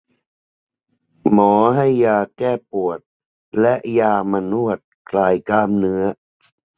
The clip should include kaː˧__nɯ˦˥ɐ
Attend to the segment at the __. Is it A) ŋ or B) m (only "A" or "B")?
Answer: B